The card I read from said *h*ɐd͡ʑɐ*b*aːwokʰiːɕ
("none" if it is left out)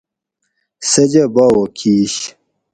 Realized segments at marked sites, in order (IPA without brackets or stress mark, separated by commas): s, b